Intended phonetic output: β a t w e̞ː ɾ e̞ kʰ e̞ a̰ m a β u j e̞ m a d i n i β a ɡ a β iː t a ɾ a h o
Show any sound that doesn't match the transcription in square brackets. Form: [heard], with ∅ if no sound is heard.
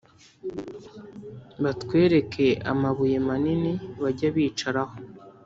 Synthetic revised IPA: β a t w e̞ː ɾ e̞ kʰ e̞ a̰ m a β u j e̞ m a [n] i n i β a [ɟ] a β iː [t͡ʃ] a ɾ a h o